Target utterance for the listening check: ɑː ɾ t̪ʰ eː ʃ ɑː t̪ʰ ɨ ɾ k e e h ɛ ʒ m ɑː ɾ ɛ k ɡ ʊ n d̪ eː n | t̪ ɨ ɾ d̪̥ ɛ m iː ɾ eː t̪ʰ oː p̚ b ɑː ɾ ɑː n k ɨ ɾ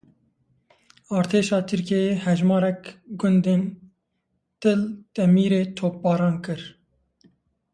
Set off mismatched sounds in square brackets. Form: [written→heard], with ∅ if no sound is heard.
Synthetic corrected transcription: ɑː ɾ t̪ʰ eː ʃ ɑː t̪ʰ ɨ ɾ k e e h ɛ ʒ m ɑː ɾ ɛ k ɡ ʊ n d̪ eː n | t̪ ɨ [ɾ→l] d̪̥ ɛ m iː ɾ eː t̪ʰ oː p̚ b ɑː ɾ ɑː n k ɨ ɾ